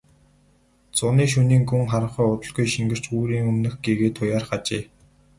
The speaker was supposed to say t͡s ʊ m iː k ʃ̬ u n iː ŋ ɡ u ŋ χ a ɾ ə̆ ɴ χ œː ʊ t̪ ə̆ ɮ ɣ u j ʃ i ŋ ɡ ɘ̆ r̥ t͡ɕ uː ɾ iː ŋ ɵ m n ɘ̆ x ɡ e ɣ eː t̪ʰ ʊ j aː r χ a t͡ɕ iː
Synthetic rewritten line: t͡s ʊ n iː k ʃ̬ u n iː ŋ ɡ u ŋ χ a ɾ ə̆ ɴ χ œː ʊ t̪ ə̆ ɮ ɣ u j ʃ i ŋ ɡ ɘ̆ r̥ t͡ɕ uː ɾ iː ŋ ɵ m n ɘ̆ x ɡ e ɣ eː t̪ʰ ʊ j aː r χ a t͡ɕ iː